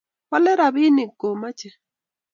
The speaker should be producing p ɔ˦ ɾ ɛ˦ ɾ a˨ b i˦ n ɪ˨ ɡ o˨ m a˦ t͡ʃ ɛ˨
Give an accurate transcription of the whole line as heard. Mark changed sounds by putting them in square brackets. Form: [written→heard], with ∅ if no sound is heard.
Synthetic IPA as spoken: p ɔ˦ [ɾ→l] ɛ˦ ɾ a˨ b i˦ n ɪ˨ ɡ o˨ m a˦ t͡ʃ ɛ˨